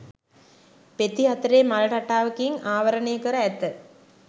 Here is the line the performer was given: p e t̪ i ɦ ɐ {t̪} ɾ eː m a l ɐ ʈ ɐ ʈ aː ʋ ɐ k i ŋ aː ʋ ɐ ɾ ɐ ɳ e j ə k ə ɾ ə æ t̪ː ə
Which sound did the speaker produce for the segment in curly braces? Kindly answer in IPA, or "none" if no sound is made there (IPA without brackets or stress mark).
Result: t̪